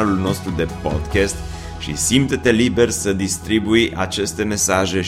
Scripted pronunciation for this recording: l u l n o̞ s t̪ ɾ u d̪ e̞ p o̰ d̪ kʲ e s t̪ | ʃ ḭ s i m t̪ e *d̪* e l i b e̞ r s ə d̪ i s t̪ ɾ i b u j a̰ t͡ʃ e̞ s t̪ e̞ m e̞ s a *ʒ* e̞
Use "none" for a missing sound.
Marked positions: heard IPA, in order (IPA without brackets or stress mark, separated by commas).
t̪, ʒ